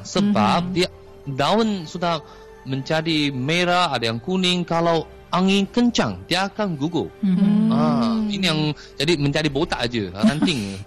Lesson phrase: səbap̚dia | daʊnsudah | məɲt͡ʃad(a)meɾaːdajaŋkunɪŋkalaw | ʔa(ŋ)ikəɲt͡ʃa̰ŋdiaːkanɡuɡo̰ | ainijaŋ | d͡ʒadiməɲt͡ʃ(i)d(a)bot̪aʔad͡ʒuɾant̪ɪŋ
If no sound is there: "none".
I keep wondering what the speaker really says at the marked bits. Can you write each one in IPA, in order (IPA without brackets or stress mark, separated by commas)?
i, ŋ, a, i